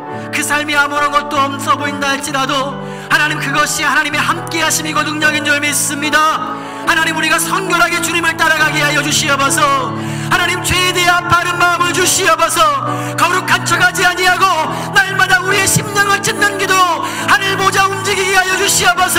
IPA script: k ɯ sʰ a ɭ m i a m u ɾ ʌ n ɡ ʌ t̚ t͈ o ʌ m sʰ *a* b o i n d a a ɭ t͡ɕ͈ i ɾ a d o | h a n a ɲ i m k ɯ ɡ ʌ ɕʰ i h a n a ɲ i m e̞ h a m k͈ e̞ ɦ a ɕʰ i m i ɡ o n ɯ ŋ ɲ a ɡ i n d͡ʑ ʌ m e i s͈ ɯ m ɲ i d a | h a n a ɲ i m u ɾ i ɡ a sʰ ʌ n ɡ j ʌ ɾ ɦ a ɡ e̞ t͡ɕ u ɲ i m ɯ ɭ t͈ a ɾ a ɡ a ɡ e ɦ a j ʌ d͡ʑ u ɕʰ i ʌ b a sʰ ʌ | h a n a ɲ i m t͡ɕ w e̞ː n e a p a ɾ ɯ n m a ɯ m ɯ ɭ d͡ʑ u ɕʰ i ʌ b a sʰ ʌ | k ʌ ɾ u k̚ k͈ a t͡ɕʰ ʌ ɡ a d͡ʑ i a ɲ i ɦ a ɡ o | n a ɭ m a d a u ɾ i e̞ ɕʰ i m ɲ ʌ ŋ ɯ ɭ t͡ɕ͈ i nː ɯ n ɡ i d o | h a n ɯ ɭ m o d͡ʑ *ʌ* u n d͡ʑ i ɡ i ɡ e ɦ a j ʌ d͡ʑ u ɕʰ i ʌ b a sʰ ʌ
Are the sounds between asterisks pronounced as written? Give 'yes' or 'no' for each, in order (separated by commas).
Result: no, no